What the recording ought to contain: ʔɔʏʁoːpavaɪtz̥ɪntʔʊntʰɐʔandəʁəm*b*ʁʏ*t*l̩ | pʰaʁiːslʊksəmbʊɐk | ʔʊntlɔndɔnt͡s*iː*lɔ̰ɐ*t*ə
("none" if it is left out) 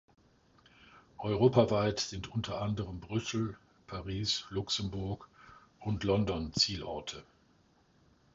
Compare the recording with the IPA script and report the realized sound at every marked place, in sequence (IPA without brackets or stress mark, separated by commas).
b, s, iː, tʰ